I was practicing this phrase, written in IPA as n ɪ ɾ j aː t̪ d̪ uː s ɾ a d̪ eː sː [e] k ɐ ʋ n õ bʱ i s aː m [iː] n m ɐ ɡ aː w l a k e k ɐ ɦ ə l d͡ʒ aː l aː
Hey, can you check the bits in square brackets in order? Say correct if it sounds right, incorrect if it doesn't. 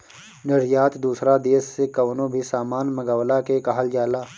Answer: correct, incorrect: aː

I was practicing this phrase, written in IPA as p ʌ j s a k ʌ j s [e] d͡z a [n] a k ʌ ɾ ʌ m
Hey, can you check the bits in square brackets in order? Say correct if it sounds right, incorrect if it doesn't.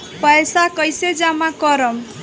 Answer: correct, incorrect: m

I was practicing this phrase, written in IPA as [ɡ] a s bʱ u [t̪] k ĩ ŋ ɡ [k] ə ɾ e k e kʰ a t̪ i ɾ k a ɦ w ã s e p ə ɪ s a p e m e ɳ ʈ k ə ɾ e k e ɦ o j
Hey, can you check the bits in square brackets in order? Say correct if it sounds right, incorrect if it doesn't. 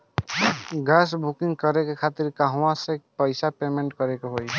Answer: correct, incorrect: none, correct

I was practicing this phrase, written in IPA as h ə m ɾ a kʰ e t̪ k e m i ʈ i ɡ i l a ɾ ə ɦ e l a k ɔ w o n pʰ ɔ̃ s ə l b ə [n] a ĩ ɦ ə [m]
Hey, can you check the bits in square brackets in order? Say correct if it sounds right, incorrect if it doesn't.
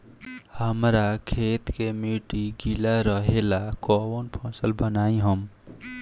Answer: correct, correct

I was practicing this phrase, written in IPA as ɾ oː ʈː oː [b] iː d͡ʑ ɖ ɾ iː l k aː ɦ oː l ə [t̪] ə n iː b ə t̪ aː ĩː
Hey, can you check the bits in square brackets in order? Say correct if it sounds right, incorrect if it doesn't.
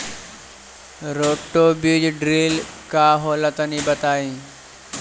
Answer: correct, correct

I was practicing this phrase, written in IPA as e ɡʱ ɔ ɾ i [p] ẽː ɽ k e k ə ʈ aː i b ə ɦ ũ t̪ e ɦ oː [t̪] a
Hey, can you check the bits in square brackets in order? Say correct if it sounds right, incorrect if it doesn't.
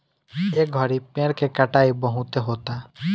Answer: correct, correct

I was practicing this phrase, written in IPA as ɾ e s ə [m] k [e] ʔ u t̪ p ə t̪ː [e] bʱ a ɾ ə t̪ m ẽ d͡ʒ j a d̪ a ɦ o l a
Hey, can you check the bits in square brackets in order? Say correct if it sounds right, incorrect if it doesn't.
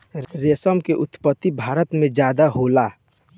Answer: correct, correct, incorrect: i

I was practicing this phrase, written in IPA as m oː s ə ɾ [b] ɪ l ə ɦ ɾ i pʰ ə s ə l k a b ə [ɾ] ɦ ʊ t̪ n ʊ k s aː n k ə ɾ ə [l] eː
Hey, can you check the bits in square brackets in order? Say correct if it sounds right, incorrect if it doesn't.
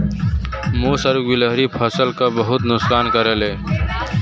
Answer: incorrect: ɡ, incorrect: none, correct

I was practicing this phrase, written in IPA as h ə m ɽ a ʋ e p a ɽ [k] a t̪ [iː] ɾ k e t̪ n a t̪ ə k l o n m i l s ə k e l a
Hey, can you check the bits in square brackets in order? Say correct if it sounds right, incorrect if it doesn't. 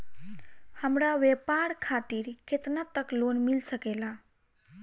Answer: incorrect: kʰ, correct

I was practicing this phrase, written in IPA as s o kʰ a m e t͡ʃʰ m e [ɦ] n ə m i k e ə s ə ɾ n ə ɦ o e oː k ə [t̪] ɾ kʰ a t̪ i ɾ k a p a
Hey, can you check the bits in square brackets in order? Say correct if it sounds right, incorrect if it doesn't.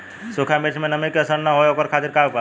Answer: incorrect: none, incorrect: none

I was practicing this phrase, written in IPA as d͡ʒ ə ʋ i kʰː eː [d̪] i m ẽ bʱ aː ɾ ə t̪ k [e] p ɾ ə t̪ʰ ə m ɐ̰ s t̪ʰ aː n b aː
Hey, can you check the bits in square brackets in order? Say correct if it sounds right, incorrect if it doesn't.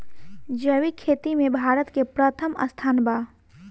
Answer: incorrect: t̪, correct

